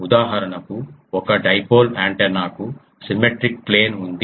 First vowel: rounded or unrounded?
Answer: rounded